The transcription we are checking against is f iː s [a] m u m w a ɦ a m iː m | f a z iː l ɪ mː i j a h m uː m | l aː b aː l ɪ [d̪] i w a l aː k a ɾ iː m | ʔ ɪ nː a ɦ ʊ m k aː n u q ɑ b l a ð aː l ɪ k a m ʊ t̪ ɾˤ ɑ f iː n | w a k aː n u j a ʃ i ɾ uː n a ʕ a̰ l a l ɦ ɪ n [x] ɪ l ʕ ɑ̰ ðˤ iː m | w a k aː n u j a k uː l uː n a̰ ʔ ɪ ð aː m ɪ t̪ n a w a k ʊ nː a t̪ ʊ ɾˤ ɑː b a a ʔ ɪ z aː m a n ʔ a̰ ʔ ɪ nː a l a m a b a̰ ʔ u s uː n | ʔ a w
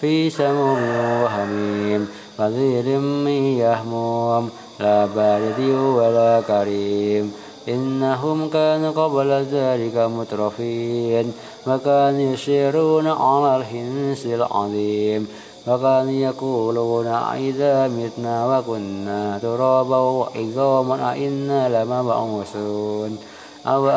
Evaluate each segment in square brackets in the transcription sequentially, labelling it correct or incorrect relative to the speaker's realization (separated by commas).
correct, correct, incorrect